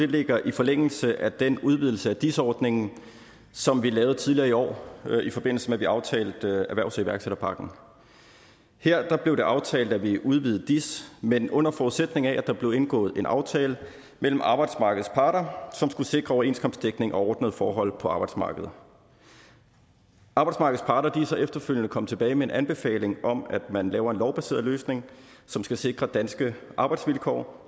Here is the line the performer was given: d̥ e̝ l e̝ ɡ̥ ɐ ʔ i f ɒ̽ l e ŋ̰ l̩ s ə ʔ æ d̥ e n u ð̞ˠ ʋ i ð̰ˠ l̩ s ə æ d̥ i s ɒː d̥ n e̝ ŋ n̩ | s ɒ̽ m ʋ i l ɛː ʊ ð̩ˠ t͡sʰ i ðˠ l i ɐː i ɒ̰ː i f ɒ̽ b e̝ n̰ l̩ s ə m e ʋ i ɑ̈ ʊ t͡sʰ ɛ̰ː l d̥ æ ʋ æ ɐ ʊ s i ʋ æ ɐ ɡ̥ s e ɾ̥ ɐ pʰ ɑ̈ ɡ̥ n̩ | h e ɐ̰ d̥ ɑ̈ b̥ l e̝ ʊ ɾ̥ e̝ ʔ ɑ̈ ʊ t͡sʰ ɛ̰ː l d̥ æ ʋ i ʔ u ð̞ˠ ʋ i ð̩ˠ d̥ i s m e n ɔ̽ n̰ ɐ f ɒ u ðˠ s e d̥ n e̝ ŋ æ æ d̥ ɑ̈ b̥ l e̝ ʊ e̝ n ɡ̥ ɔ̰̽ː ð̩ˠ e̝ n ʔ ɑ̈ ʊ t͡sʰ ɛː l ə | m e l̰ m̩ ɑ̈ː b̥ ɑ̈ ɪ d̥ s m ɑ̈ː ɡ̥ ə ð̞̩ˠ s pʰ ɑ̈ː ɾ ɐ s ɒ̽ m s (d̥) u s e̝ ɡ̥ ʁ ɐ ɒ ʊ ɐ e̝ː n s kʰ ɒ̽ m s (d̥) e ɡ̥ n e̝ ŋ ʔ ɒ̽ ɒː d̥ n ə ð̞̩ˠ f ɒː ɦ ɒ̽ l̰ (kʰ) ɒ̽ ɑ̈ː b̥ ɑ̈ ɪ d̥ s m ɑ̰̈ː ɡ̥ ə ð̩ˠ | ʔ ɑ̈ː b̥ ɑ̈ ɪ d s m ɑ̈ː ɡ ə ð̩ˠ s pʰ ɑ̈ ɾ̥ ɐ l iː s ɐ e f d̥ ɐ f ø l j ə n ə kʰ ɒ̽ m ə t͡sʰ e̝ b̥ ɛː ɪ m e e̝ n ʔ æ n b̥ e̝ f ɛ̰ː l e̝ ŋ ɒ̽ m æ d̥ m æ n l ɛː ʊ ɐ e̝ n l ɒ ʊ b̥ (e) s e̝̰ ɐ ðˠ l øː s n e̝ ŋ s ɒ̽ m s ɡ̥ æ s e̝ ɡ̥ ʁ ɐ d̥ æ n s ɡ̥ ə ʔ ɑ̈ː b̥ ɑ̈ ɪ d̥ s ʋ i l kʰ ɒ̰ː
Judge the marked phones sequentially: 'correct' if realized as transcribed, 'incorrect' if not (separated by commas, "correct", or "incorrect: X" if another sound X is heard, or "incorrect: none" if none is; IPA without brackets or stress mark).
incorrect: ɡ̥, correct, incorrect: pʰ, incorrect: æ